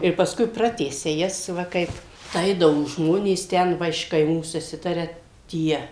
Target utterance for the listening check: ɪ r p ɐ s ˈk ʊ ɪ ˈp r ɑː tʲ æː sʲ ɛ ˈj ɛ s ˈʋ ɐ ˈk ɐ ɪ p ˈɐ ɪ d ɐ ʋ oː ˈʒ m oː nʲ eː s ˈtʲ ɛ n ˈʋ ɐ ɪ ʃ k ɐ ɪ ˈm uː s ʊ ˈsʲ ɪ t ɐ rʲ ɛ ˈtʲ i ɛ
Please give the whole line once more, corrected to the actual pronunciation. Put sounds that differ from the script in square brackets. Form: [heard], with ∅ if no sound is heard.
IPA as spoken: ɪ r p ɐ s ˈk ʊ ɪ ˈp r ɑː tʲ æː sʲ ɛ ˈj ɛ s ˈʋ ɐ ˈk ɐ ɪ p ˈɐ ɪ d ɐ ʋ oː ˈʒ m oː nʲ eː s ˈtʲ ɛ n ˈʋ ɐ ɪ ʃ k ɐ ɪ ˈm uː s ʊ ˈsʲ ɪ t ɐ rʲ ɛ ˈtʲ i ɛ